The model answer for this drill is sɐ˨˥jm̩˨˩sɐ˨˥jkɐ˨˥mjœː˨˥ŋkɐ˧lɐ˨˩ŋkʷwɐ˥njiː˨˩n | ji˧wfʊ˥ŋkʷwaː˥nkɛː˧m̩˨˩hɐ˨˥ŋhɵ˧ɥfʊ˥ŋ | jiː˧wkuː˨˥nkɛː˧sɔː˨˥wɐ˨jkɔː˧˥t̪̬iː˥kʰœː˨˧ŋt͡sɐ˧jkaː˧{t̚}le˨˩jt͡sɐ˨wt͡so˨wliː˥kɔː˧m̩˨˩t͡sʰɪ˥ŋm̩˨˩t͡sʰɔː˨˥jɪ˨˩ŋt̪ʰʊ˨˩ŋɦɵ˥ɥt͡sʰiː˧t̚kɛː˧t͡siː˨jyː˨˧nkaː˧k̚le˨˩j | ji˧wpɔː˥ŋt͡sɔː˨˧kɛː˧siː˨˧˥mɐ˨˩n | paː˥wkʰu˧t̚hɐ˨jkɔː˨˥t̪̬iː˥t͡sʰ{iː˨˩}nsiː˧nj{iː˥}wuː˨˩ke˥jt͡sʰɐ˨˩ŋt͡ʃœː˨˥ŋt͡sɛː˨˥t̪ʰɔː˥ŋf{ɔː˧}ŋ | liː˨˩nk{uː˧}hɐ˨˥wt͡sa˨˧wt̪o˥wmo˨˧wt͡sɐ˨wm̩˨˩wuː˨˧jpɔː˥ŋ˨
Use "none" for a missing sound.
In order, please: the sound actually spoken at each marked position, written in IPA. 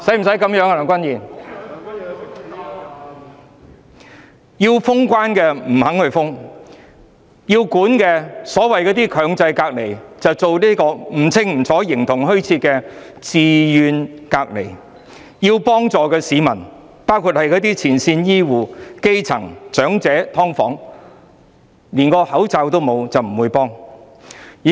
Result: k̚, iː˨˩, iː˥, ɔː˨˥, ɔː˧

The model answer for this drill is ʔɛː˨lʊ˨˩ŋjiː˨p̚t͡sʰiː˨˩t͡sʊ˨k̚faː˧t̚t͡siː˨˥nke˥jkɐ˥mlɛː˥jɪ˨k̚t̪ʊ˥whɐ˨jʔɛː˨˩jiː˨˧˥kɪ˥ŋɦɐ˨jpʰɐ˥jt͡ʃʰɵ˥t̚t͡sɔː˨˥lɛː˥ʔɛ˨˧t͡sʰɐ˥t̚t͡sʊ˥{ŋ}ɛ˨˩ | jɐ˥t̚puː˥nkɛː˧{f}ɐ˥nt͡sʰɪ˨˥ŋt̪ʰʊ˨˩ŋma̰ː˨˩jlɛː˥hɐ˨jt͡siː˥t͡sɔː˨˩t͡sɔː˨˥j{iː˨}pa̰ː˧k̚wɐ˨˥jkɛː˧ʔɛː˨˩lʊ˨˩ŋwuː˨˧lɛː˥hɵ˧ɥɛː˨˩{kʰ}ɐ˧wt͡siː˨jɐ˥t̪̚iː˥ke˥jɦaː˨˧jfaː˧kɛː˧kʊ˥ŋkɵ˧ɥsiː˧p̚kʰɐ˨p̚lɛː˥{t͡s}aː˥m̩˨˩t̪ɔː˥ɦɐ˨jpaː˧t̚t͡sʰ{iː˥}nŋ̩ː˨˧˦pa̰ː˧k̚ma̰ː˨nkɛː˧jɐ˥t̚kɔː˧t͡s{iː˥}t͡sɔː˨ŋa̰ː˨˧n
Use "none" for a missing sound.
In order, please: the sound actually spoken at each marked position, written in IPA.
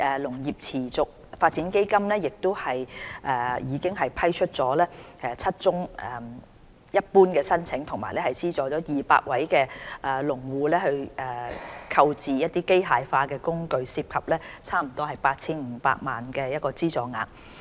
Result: ŋ, s, iː˨, kʰ, t͡sʰ, iː˥, iː˥

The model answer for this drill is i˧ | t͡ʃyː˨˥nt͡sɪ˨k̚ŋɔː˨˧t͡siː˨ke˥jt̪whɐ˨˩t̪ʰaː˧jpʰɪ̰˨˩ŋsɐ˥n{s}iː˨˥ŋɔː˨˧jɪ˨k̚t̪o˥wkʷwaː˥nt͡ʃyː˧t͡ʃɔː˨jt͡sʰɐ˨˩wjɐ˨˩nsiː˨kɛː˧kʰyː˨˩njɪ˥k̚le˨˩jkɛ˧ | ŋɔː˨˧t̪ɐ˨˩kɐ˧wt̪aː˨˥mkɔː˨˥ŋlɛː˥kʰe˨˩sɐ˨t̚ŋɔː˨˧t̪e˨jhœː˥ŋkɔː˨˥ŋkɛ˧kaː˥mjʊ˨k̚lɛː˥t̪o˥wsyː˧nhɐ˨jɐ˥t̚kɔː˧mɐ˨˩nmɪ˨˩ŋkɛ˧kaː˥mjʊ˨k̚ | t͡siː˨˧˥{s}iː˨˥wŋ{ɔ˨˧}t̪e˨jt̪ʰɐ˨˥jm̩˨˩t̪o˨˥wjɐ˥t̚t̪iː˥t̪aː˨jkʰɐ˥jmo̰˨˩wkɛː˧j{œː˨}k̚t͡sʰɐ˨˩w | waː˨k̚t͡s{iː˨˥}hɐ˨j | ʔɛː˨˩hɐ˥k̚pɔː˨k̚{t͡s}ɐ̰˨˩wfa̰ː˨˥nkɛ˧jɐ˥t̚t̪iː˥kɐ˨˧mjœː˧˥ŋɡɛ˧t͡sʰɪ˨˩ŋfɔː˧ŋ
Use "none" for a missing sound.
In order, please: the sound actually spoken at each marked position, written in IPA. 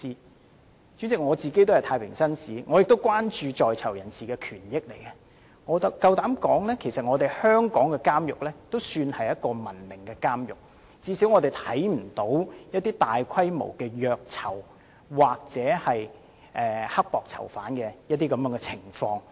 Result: s, s, ɔ˨˧, œː˨, ɛː˨˥, t͡sʰ

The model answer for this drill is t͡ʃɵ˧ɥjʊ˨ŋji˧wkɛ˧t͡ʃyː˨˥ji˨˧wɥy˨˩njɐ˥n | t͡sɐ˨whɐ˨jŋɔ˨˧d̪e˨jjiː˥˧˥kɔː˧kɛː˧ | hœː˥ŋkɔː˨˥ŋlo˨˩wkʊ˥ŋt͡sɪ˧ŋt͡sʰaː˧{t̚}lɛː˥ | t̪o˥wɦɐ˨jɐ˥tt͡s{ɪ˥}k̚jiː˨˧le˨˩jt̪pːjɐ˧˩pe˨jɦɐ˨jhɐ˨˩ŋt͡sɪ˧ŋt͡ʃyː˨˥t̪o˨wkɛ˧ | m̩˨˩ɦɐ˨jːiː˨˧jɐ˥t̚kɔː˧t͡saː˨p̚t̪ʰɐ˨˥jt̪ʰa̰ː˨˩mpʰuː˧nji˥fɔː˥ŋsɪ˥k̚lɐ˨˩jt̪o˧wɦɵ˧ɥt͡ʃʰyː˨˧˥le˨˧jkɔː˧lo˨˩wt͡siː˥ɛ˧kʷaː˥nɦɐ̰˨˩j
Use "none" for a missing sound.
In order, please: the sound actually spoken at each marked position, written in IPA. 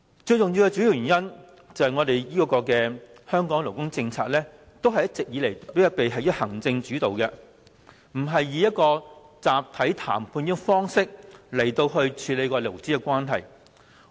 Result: k̚, ɪ˨

